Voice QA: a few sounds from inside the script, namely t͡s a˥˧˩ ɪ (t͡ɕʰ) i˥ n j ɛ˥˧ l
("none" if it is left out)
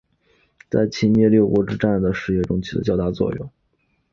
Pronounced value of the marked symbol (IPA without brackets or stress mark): t͡ɕʰ